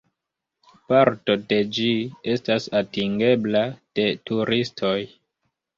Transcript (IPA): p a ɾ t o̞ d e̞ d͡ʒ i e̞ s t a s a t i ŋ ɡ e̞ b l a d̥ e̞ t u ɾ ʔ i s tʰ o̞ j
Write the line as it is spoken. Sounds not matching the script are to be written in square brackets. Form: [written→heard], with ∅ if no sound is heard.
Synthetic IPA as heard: p a ɾ t o̞ d e̞ d͡ʒ i e̞ s t a s a t i ŋ ɡ e̞ b l a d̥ e̞ t u ɾ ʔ i s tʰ o̞ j